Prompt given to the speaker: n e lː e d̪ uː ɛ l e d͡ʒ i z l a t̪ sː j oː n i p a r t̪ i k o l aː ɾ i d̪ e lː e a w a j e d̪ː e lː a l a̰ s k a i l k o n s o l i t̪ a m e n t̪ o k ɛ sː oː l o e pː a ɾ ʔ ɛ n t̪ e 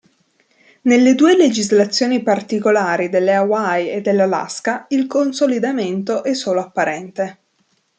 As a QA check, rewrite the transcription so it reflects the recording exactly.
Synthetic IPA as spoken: n e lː e d̪ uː e l e d͡ʒ i z l a t̪ sː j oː n i p a r t̪ i k o l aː ɾ i d̪ e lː e a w a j e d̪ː e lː a l a̰ s k a i l k o n s o l i d̪ a m e n t̪ o ʔ ɛ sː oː l o a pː a ɾ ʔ ɛ n t̪ e

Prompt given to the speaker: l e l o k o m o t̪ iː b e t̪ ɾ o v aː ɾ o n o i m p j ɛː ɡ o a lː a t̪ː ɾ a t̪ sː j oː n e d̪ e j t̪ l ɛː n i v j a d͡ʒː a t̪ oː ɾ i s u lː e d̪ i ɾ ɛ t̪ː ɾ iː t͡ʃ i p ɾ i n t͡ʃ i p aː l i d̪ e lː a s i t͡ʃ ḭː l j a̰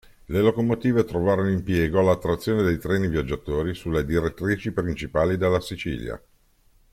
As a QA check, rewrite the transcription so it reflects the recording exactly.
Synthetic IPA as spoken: l e l o k o m o t̪ iː v e t̪ ɾ o v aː ɾ o n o i m p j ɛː ɡ o a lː a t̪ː ɾ a t̪ sː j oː n e d̪ e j t̪ ɾ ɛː n i v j a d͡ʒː a t̪ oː ɾ i s u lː e d̪ i ɾ e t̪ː ɾ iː t͡ʃ i p ɾ i n t͡ʃ i p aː l i d̪ e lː a s i t͡ʃ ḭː l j a̰

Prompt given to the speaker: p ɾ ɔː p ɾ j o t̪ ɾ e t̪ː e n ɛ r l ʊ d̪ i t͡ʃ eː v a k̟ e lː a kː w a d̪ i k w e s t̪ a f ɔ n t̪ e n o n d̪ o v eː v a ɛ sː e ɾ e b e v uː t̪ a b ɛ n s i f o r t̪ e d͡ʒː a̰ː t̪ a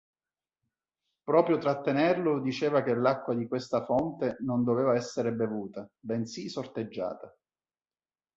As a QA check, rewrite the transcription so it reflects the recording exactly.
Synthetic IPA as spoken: p ɾ ɔː p ɾ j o t̪ ɾ a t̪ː e n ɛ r l ʊ d̪ i t͡ʃ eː v a k̟ e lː a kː w a d̪ i k w e s t̪ a f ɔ n t̪ e n o n d̪ o v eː v a ɛ sː e ɾ e b e v uː t̪ a b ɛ n s i s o r t̪ e d͡ʒː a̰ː t̪ a

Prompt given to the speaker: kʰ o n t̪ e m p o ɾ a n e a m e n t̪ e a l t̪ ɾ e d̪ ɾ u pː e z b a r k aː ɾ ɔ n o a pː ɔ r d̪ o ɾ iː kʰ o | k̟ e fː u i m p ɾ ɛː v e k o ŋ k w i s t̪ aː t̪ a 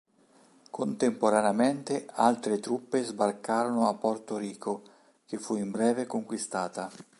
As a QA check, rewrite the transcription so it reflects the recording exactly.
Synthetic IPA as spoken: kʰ o n t̪ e m p o ɾ a n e a m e n t̪ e a l t̪ ɾ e t̪ ɾ u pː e z b a r k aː ɾ o n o a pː ɔ r t̪ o ɾ iː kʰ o | k̟ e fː u i m b ɾ ɛː v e k o ŋ k w i s t̪ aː t̪ a

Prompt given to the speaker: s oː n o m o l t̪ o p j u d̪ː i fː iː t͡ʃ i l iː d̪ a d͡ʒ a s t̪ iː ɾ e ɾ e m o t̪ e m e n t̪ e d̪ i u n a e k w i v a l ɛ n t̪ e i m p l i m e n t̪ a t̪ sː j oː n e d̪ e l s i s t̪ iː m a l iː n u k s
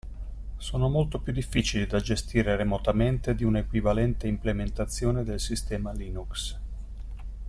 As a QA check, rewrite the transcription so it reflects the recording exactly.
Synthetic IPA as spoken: s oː n o m o l t̪ o p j u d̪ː i fː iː t͡ʃ i l i d̪ a d͡ʒ e s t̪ iː ɾ e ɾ e m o t̪ a m e n t̪ e d̪ i u n a e k w i v a l ɛ n t̪ e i m p l e m e n t̪ a t̪ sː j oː n e d̪ e l s i s t̪ ɛː m a l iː n u k s

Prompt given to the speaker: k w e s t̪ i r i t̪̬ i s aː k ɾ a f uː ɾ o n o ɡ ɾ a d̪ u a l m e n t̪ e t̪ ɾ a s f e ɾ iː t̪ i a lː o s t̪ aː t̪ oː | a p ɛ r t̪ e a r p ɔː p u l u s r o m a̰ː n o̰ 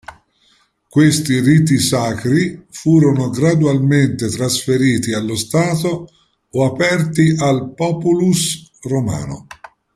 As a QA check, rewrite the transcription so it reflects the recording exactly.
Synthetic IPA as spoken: k w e s t̪ i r i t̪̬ i s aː k ɾ i f uː ɾ o n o ɡ ɾ a d̪ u a l m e n t̪ e t̪ ɾ a s f e ɾ iː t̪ i a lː o s t̪ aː t̪ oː | a p ɛ r t̪ i a l p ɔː p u l u s r o m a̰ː n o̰

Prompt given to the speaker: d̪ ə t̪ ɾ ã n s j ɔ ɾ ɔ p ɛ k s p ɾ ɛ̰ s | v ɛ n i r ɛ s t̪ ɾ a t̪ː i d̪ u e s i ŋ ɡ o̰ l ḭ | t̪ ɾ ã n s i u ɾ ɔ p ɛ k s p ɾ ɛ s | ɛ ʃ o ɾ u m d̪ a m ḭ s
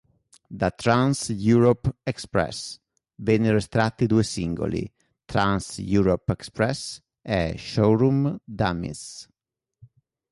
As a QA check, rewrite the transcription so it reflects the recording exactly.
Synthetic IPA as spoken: d̪ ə t̪ ɾ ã n s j u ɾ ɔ p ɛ k s p ɾ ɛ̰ s | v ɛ n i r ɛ s t̪ ɾ a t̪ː i d̪ u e s i ŋ ɡ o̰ l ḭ | t̪ ɾ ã n s j u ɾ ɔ p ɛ k s p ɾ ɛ s | ɛ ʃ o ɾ u m d̪ a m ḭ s

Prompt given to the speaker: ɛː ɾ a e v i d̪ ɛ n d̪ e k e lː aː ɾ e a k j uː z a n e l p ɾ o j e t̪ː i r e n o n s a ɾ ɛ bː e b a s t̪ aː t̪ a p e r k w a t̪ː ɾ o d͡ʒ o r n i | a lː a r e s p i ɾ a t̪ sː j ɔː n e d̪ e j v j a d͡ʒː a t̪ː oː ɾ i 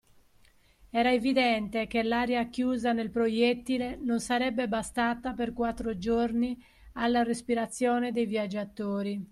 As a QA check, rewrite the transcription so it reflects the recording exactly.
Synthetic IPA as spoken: ɛː ɾ a e v i d̪ ɛ n t̪ e k e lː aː ɾ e a k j uː z a n e l p ɾ o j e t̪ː i l e n o n s a ɾ ɛ bː e b a s t̪ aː t̪ a p e r k w a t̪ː ɾ o d͡ʒ o r n i | a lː a r e s p i ɾ a t̪ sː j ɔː n e d̪ e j v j a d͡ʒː a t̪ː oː ɾ i

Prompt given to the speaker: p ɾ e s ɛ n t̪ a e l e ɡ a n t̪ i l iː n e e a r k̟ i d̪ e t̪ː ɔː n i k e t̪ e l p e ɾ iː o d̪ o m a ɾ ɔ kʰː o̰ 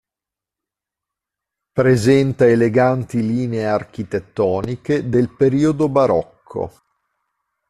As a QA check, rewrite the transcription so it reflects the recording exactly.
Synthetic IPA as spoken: p ɾ e z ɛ n t̪ a e l e ɡ a n t̪ i l iː n e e a r k̟ i t̪ e t̪ː ɔː n i k e d̪ e l p e ɾ iː o d̪ o b a ɾ ɔ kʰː o̰

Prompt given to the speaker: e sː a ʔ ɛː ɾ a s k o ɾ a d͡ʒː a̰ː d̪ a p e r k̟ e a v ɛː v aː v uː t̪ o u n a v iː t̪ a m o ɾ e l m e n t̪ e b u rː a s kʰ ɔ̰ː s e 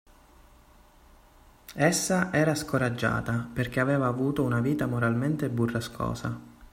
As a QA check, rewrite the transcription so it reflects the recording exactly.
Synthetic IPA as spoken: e sː a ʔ ɛː ɾ a s k o ɾ a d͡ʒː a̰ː t̪ a p e r k̟ e a v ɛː v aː v uː t̪ o u n a v iː t̪ a m o ɾ a l m e n t̪ e b u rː a s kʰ ɔ̰ː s a

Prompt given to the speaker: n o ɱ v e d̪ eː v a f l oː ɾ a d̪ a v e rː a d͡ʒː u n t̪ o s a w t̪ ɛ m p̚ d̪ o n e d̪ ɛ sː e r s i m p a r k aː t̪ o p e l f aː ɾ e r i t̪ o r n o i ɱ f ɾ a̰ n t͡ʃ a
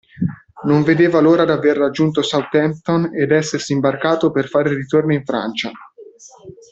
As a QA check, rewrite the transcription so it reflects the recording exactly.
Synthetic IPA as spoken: n o ɱ v e d̪ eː v a l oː ɾ a d̪ a v e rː a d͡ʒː u n t̪ o s a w t̪ ɛ m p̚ t̪ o n e d̪ ɛ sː e r s i m b a r k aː t̪ o p e r f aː ɾ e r i t̪ o r n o i ɱ f ɾ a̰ n t͡ʃ a

